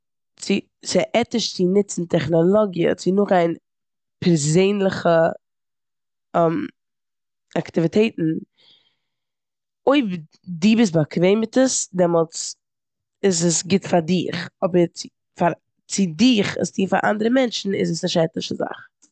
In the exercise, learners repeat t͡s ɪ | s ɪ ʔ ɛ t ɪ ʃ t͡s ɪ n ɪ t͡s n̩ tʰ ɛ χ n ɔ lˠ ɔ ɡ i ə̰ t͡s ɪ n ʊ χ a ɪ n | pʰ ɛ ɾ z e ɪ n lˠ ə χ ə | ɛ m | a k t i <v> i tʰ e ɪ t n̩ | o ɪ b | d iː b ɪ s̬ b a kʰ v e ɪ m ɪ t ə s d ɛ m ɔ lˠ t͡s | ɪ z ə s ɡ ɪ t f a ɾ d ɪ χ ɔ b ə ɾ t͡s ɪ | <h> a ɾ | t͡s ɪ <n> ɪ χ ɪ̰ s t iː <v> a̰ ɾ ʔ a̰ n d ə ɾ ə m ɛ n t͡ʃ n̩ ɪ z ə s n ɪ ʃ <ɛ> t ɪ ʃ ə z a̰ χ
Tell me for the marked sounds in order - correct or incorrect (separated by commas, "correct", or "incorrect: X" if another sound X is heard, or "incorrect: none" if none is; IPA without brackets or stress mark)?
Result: correct, incorrect: f, incorrect: d, incorrect: f, correct